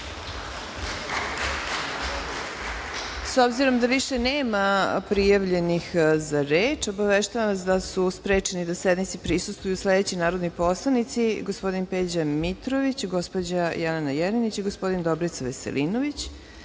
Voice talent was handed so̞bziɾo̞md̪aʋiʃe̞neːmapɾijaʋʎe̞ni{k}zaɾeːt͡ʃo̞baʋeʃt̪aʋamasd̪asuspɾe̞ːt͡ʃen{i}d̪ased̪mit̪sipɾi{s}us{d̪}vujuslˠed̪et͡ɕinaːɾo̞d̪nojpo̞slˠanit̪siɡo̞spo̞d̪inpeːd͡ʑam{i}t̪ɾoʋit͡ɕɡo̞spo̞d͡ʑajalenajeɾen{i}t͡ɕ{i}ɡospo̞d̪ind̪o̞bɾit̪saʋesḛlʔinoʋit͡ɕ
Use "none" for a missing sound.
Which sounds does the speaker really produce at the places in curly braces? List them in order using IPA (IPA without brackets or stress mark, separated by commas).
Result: x, i, s, t̪, i, i, i